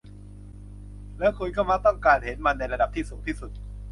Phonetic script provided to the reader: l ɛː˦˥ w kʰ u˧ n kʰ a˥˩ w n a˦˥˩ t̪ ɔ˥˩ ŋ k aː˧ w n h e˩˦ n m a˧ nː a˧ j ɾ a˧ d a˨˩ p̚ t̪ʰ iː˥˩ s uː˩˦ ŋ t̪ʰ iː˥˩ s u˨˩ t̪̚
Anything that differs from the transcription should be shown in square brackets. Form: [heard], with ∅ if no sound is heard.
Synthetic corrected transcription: l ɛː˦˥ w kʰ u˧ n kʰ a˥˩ w [m] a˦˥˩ t̪ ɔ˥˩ ŋ k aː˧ [∅] n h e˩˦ n m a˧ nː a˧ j ɾ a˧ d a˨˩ p̚ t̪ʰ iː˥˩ s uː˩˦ ŋ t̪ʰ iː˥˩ s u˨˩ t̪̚